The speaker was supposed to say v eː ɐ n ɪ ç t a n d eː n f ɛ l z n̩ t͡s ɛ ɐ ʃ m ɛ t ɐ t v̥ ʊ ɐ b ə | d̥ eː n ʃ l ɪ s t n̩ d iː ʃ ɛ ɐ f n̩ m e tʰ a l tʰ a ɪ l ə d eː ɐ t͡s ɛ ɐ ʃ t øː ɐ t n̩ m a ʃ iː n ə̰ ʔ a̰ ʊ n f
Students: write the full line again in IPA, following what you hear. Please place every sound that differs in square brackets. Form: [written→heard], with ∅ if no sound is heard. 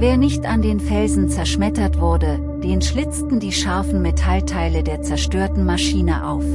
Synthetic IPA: v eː ɐ n ɪ ç t a n d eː n f ɛ l z n̩ t͡s ɛ ɐ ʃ m ɛ t ɐ t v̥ ʊ ɐ [b→d] ə | d̥ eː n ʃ l ɪ [s→t͡s] t n̩ d iː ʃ [ɛ→a] ɐ f n̩ m e tʰ a l tʰ a ɪ l ə d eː ɐ t͡s ɛ ɐ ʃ t øː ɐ t n̩ m a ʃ iː n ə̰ ʔ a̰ ʊ [n→∅] f